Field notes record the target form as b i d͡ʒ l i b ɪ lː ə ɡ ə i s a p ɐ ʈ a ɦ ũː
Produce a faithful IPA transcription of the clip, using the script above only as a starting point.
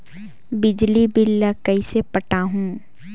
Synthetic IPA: b ɪ d͡ʒ l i b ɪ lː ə k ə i s e p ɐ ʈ a ɦ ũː